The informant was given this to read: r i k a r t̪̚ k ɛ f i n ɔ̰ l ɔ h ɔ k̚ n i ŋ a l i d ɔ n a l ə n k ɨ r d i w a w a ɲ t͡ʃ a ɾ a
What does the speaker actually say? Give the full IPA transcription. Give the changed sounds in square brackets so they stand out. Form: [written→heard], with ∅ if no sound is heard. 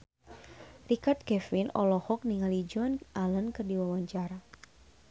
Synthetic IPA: r i k a r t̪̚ k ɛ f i n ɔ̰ l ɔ h ɔ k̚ n i ŋ a l i [d→d͡ʒ] ɔ n a l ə n k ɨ r d i w a w a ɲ t͡ʃ a ɾ a